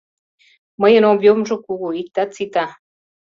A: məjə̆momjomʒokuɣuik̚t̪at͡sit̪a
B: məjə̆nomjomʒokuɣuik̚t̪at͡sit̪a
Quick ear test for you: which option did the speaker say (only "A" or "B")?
B